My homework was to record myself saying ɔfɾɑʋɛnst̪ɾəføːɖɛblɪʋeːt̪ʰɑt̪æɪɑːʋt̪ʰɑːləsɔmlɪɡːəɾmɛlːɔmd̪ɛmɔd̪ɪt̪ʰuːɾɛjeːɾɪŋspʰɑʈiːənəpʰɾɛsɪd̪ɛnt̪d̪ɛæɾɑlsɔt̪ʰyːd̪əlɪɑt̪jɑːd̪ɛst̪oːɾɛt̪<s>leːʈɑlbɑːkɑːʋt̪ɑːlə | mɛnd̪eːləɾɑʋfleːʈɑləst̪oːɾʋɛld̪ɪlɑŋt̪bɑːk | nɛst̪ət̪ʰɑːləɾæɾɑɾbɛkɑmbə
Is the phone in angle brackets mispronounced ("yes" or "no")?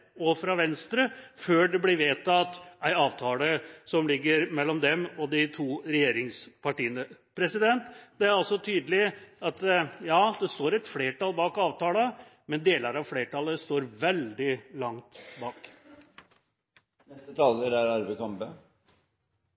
yes